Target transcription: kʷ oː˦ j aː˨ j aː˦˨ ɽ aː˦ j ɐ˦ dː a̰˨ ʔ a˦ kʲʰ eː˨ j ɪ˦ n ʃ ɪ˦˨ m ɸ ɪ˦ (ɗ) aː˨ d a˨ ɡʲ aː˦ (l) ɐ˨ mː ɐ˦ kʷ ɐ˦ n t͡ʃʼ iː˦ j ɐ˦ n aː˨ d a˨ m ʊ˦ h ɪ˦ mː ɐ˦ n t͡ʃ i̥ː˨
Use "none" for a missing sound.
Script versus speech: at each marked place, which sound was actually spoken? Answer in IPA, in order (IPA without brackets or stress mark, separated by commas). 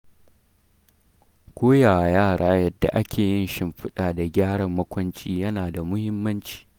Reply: ɗ, ɽ